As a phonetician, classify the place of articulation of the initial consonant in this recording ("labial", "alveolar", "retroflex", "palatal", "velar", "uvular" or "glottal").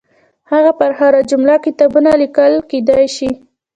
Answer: glottal